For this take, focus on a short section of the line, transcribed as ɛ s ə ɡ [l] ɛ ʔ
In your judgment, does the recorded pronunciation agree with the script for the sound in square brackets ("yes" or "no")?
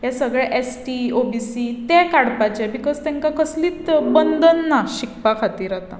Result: no